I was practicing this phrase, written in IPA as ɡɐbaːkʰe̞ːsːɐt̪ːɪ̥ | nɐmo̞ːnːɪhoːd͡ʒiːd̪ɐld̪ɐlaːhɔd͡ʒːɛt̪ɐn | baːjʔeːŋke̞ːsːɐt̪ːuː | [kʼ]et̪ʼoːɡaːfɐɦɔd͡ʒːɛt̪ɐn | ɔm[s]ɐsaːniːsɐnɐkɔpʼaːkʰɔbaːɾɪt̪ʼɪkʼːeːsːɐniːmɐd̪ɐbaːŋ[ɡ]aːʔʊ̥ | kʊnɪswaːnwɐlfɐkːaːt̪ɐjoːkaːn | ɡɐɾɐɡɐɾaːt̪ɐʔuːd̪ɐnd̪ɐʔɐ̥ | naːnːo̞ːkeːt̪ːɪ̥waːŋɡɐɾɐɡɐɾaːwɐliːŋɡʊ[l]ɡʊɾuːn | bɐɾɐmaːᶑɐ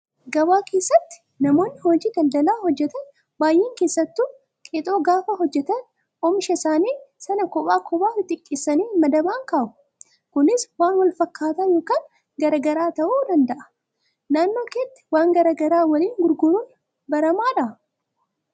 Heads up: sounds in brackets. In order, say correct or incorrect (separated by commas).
correct, incorrect, incorrect, incorrect